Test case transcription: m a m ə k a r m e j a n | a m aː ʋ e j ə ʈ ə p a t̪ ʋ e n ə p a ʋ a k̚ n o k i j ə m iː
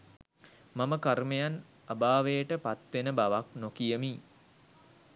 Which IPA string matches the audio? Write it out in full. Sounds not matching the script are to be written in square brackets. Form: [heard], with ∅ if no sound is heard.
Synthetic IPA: m a m ə k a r m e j a n | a [b] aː ʋ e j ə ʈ ə p a t̪ ʋ e n ə [b] a ʋ a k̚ n o k i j ə m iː

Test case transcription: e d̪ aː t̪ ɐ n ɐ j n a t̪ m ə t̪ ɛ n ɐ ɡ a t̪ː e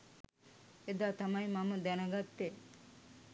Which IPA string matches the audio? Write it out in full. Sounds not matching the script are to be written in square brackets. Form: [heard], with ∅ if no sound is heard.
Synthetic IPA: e d̪ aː t̪ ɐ [m] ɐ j [m] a [∅] m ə [d̪] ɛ n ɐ ɡ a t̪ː e

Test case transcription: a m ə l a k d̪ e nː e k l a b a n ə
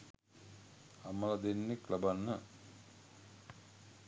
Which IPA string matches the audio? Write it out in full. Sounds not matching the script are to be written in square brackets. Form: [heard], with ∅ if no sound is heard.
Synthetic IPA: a m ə l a [∅] d̪ e nː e k l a b a [nː] ə

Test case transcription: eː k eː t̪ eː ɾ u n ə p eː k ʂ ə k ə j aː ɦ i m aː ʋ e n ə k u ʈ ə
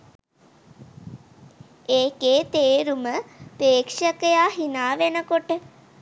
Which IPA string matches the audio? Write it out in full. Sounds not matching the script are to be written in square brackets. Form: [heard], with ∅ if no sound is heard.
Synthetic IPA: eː k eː t̪ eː ɾ u [m] ə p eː k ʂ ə k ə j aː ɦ i [n] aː ʋ e n ə k [o] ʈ ə

